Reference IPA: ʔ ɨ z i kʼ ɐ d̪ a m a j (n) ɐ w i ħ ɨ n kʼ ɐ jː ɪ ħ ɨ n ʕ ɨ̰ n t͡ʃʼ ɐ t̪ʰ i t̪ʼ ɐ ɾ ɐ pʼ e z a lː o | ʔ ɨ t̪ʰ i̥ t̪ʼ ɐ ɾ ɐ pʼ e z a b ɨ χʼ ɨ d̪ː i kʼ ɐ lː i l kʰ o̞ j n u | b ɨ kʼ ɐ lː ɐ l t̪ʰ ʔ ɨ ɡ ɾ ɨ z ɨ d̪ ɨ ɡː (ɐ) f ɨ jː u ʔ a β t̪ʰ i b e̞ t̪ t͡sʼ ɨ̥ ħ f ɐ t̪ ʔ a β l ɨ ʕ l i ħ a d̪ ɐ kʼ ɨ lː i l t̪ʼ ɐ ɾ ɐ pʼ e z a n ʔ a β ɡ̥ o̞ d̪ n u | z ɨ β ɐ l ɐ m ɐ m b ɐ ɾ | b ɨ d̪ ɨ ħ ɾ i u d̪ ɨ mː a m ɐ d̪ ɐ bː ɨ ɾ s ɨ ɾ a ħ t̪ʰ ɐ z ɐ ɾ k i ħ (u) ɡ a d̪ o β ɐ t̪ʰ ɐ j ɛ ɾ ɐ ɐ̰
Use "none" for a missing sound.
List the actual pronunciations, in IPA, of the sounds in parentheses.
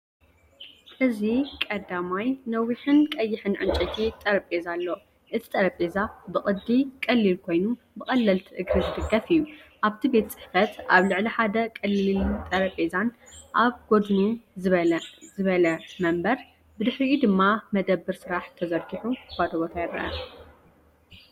n, ɐ, u

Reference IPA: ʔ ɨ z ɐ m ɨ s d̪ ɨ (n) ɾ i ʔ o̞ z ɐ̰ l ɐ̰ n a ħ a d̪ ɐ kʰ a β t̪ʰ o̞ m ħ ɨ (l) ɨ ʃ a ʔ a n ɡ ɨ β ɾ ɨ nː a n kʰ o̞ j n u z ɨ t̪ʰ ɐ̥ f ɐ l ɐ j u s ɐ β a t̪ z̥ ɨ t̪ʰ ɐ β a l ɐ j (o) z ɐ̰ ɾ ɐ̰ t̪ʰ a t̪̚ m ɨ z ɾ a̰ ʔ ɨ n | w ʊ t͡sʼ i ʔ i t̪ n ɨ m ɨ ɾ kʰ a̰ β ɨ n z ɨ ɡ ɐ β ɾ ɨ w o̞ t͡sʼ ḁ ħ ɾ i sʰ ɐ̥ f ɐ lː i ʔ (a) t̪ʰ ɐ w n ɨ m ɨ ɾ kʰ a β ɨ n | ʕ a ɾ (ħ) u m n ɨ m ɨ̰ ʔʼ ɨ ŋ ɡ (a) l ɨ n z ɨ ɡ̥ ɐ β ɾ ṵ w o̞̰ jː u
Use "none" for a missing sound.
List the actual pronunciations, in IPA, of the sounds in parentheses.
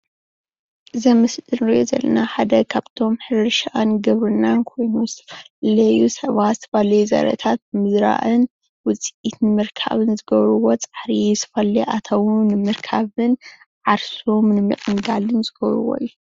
n, ɾ, u, a, s, a

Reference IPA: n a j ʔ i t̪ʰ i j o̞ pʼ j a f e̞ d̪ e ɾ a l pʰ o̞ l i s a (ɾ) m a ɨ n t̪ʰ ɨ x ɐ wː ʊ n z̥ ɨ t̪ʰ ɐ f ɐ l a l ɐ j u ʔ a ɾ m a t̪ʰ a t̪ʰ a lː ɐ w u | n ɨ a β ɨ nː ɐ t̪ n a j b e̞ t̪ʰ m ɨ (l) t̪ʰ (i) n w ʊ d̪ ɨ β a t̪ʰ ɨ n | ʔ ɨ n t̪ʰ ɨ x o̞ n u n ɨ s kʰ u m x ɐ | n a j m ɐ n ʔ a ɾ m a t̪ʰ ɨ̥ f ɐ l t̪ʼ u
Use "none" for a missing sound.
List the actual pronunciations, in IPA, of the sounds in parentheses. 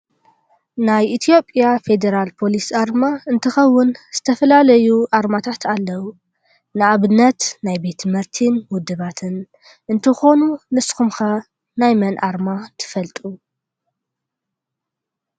ɾ, ɾ, i

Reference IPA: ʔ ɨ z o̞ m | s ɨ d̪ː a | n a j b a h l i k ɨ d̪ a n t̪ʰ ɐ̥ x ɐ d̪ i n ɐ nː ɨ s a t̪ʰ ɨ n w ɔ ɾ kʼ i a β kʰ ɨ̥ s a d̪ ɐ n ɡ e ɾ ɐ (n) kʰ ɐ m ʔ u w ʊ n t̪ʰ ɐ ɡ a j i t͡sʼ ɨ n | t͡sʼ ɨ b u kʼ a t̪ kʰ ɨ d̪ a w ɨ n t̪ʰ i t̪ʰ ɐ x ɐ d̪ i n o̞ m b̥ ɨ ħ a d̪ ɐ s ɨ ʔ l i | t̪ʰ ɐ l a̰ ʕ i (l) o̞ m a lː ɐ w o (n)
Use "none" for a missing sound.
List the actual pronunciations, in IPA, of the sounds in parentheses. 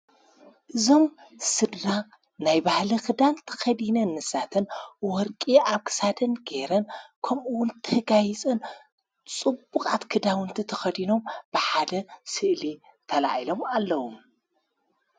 n, l, m

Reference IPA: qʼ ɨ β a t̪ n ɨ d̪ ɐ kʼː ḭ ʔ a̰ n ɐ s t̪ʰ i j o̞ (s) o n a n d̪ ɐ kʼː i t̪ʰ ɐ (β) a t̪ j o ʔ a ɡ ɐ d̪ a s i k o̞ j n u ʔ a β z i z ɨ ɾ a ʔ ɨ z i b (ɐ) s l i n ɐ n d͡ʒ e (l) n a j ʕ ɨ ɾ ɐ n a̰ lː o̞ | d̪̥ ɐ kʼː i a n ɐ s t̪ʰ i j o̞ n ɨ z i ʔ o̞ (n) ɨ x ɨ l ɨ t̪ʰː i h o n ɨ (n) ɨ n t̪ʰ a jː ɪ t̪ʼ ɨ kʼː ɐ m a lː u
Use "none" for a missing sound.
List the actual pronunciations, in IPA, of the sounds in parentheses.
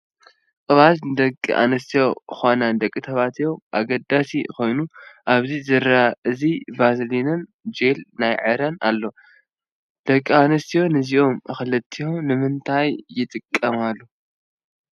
x, β, a, l, m, m

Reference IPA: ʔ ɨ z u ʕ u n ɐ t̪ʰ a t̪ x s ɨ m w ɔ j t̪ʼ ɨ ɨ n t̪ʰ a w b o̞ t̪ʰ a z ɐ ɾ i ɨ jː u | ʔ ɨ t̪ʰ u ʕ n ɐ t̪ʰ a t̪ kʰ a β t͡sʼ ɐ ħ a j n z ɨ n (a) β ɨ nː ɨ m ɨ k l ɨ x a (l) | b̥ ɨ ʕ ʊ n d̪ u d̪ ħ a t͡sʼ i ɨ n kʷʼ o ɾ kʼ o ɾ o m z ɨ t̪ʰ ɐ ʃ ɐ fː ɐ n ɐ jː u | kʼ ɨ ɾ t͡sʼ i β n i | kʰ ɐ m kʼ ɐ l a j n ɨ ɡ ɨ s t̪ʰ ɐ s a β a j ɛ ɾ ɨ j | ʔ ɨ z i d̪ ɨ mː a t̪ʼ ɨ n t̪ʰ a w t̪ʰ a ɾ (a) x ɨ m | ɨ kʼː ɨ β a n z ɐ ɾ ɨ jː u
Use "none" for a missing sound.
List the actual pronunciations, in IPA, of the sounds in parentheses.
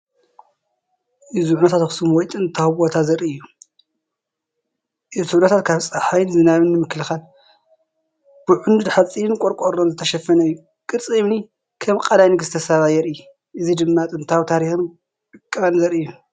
a, l, i

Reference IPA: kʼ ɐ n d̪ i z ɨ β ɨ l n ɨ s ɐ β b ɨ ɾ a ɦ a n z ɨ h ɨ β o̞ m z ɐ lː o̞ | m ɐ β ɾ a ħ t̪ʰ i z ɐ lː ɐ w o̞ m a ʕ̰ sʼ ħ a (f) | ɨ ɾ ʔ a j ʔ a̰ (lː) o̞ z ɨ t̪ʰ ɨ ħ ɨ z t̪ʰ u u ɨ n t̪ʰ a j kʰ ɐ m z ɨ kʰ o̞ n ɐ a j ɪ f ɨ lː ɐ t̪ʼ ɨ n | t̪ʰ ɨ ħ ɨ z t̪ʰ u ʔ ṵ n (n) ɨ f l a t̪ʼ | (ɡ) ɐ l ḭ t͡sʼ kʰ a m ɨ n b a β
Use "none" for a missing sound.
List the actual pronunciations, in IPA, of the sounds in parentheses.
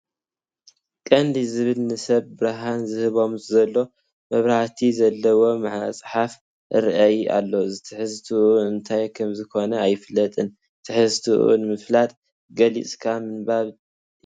f, lː, m, ɡ

